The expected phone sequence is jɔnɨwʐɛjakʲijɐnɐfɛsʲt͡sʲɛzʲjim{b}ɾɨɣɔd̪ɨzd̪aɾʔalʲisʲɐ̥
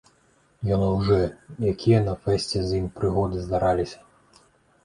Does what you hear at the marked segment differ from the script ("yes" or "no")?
yes